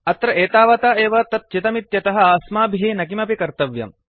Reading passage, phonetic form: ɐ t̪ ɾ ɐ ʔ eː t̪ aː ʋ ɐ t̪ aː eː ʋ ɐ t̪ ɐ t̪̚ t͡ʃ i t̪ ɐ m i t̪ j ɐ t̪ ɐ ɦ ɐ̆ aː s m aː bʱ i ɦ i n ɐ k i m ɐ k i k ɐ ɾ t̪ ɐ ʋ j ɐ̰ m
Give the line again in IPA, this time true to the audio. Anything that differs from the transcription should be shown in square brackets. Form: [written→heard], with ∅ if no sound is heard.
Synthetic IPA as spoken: ɐ t̪ ɾ ɐ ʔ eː t̪ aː ʋ ɐ t̪ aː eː ʋ ɐ t̪ ɐ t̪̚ t͡ʃ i t̪ ɐ m i t̪ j ɐ t̪ ɐ ɦ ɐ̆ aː s m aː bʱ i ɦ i n ɐ k i m ɐ [k→p] i k ɐ ɾ t̪ ɐ ʋ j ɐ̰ m